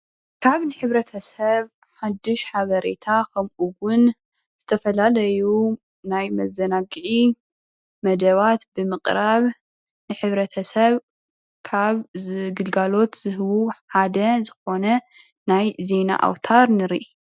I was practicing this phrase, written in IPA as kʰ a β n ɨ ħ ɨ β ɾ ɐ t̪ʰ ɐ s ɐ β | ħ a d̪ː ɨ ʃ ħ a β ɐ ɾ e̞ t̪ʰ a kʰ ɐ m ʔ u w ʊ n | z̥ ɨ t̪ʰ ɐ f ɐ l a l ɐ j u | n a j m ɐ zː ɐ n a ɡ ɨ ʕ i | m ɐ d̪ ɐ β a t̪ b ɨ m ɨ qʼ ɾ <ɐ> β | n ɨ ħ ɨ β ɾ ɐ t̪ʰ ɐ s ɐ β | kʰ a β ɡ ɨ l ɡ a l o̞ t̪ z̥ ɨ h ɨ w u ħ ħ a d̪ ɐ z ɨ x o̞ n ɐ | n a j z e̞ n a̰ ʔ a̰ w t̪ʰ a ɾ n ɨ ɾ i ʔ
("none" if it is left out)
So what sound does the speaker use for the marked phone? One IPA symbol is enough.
a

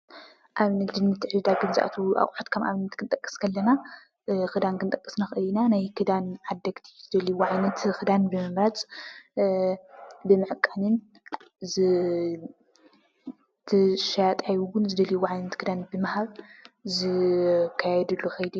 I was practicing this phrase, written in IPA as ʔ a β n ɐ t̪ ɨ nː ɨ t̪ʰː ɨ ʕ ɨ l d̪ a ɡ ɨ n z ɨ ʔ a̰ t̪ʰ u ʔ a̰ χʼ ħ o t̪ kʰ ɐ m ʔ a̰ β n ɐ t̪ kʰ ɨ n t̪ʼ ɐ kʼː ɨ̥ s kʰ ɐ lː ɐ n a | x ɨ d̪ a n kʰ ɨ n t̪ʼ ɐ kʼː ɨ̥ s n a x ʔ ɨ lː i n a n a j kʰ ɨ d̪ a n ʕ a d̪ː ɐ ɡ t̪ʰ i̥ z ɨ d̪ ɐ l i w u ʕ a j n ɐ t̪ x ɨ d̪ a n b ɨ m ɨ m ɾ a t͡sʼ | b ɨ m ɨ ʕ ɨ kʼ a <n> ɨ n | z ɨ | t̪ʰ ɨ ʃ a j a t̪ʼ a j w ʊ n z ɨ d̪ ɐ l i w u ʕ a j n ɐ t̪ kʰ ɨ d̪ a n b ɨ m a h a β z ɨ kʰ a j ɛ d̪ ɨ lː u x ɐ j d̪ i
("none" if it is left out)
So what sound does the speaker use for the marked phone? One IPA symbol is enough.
n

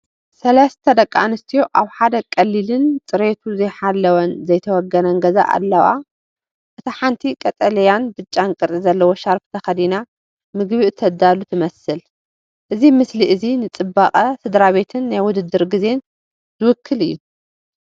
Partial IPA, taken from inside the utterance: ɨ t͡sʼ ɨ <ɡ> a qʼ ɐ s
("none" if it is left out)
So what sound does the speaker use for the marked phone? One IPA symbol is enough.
b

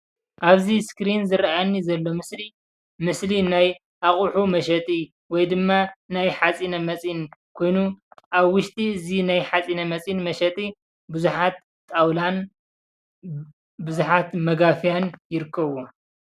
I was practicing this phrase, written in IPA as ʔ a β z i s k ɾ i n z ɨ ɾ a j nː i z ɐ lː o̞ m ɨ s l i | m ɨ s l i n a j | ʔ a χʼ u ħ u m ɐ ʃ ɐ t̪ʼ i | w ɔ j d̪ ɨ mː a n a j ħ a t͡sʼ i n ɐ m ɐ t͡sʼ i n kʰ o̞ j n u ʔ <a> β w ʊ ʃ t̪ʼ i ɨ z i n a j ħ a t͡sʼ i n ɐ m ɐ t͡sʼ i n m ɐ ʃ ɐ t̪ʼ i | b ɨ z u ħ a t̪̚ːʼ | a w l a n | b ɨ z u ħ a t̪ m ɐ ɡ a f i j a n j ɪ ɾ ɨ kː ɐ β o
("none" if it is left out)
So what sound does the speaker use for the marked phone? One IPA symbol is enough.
a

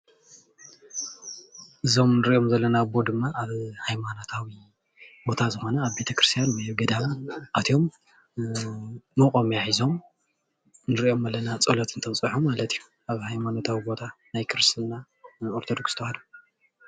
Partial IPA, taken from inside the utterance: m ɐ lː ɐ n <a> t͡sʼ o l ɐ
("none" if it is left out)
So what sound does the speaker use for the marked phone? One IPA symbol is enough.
a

